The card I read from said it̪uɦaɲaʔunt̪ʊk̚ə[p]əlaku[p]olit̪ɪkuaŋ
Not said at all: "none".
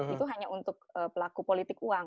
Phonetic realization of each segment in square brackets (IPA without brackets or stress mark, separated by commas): p, p